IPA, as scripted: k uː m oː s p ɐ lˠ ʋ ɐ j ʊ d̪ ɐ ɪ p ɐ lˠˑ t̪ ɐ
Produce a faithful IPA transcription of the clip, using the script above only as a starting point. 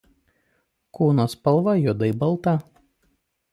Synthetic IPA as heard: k uː n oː s p ɐ lˠ ʋ ɐ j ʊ d̪ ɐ ɪ b ɐ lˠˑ t̪ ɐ